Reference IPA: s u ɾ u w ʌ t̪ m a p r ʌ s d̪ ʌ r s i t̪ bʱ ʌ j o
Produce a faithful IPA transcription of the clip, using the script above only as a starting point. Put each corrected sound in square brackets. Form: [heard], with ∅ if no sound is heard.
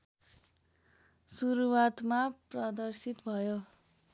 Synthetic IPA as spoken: s u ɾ u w [a] t̪ m a p r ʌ [∅] d̪ ʌ r s i t̪ bʱ ʌ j o